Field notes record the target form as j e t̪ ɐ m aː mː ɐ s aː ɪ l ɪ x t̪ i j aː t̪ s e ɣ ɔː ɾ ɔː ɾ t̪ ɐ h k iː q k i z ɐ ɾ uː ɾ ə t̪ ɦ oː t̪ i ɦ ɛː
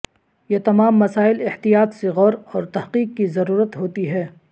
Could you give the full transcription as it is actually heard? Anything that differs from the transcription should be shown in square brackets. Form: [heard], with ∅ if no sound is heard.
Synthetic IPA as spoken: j e t̪ ɐ m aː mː ɐ s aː ɪ l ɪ [h] t̪ i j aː t̪ s e ɣ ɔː ɾ ɔː ɾ t̪ ɐ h [q] iː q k i z ɐ ɾ uː ɾ ə t̪ ɦ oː t̪ i ɦ ɛː